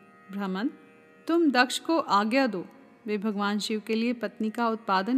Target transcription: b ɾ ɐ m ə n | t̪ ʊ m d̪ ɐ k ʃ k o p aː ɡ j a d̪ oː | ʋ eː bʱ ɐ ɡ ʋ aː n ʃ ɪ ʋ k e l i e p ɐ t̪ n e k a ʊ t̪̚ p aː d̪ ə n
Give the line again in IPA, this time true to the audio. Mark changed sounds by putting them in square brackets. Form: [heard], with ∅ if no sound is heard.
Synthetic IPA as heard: b ɾ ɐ m ə n | t̪ ʊ m d̪ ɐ k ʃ k o [ʔ] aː ɡ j a d̪ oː | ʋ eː bʱ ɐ ɡ ʋ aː n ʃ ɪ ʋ k e l i e p ɐ t̪ n [i] k a ʊ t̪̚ p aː d̪ ə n